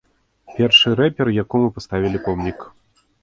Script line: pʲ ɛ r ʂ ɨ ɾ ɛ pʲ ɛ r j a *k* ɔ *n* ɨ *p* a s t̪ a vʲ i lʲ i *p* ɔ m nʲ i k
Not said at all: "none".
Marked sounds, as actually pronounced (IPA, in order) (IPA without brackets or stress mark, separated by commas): k, m, p, p